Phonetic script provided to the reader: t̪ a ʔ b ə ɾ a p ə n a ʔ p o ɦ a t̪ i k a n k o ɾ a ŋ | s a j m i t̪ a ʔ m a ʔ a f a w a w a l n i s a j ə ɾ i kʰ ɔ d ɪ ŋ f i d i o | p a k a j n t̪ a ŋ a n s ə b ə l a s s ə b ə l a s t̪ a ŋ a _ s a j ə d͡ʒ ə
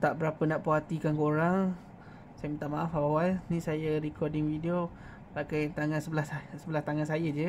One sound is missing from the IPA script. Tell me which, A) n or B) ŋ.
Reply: A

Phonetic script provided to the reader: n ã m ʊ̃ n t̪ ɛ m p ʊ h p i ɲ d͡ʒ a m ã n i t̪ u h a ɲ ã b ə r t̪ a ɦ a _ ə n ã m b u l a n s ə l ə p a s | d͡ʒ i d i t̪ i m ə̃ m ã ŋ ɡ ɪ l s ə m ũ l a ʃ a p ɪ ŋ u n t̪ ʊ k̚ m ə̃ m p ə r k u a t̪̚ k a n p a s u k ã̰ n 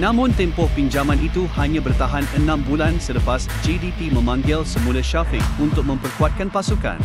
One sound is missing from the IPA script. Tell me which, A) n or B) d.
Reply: A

